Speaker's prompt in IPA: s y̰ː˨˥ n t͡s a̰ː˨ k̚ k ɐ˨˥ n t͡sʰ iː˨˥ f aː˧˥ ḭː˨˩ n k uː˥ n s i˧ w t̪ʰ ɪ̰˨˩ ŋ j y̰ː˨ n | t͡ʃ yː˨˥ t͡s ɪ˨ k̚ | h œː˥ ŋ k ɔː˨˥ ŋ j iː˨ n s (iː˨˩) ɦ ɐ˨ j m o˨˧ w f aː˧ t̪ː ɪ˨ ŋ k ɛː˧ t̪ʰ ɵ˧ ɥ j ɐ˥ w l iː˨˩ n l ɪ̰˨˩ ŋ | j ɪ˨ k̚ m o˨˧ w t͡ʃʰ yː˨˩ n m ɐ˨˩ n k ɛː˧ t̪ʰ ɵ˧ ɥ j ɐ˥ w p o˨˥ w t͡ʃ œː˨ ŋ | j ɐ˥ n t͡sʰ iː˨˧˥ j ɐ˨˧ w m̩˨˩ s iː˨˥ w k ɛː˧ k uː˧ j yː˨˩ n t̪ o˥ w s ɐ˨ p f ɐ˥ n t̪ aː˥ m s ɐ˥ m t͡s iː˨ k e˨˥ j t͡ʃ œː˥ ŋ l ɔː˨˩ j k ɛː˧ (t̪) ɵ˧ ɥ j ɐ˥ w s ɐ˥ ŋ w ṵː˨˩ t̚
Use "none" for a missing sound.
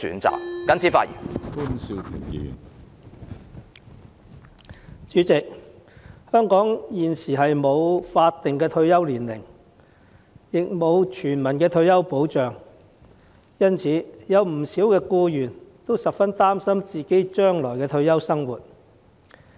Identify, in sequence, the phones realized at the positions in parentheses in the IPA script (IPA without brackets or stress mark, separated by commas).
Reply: iː˨˩, t̪ʰ